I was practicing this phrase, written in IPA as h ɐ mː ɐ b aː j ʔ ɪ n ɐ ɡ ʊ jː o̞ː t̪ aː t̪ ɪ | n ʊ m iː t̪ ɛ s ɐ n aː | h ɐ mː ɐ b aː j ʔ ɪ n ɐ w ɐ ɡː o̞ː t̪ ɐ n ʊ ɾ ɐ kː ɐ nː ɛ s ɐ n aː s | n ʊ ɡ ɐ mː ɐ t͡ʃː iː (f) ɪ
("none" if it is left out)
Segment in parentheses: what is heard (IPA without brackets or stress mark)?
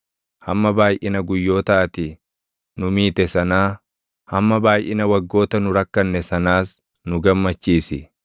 s